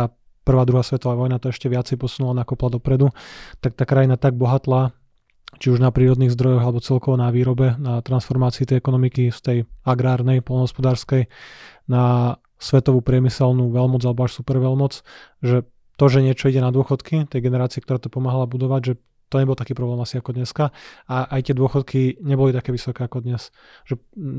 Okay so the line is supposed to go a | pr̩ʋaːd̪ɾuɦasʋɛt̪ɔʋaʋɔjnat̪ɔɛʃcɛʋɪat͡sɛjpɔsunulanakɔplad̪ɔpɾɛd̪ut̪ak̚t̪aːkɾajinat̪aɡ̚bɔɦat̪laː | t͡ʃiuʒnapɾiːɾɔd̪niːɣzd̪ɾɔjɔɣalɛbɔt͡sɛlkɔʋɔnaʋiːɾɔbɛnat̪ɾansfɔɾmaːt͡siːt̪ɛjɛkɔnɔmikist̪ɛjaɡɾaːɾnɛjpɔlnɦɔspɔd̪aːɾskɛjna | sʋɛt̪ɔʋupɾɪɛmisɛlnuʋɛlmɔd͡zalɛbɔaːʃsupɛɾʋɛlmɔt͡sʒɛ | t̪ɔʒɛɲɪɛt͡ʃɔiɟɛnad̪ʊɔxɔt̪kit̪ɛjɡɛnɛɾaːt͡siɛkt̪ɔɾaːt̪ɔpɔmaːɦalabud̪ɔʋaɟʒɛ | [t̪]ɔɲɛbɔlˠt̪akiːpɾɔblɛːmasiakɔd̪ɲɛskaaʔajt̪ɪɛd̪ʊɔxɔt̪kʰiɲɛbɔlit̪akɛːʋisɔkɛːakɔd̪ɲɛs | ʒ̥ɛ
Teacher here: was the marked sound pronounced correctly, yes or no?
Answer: yes